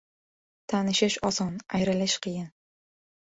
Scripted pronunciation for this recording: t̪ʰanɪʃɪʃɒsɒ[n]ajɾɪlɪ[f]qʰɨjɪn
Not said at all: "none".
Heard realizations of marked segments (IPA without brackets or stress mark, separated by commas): n, ʃ